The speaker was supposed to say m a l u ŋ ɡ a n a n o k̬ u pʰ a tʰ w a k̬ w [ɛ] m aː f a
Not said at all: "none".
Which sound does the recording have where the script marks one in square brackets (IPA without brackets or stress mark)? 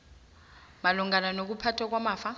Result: a